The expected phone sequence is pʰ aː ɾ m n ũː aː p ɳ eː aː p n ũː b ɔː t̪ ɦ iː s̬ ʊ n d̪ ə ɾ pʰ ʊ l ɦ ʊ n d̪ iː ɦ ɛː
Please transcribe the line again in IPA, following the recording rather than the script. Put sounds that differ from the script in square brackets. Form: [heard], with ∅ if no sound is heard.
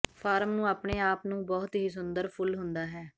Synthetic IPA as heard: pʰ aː ɾ m n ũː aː p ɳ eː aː p n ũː b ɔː t̪ ɦ iː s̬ ʊ n d̪ ə ɾ pʰ ʊ l ɦ ʊ n d̪ [aː] ɦ ɛː